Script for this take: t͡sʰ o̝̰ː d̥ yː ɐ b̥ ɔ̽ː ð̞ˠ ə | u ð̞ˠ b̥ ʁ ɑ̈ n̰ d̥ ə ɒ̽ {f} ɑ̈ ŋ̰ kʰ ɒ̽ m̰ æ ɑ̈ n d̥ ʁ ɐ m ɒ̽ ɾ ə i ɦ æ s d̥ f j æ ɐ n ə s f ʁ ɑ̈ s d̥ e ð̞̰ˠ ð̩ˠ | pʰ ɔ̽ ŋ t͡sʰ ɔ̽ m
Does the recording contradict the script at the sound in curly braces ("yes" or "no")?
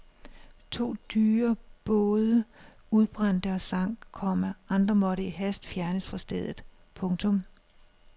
yes